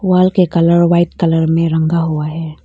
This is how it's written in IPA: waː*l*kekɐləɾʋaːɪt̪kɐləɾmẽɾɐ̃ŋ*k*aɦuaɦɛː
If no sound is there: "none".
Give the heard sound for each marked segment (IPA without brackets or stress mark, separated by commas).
l, ɡ